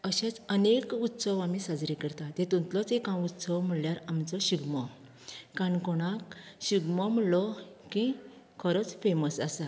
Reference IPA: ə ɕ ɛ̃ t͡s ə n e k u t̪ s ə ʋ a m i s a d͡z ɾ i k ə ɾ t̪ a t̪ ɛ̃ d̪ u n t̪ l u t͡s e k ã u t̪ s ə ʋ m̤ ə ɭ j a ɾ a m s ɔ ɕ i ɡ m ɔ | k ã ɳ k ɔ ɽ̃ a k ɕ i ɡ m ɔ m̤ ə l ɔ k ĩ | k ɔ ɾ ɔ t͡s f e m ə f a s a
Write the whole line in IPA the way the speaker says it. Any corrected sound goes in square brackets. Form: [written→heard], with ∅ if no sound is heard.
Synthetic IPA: ə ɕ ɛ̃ t͡s ə n e k u t̪ s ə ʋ a m i s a d͡z ɾ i k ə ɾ t̪ a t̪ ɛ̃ [d̪→t̪] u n t̪ l [u→ɔ] t͡s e k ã u t̪ s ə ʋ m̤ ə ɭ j a ɾ a m [s→t͡s] ɔ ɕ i ɡ m ɔ | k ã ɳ k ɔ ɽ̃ a k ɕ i ɡ m ɔ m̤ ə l ɔ k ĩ | [k→kʰ] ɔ ɾ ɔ t͡s f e m ə [f→s] a s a